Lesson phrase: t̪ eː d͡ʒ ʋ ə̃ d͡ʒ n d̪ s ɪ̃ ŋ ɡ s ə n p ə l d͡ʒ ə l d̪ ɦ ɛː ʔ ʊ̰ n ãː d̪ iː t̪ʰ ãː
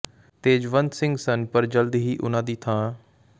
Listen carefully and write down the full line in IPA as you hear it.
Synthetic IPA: t̪ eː d͡ʒ ʋ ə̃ n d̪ s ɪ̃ ŋ ɡ s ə n p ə ɾ d͡ʒ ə l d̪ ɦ iː ʔ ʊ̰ n ãː d̪ iː t̪ʰ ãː